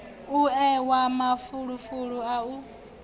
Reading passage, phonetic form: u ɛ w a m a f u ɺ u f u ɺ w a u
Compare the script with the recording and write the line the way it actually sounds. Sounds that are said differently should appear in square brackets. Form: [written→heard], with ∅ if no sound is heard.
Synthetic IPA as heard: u ɛ w a m a f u ɺ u f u ɺ [w→u] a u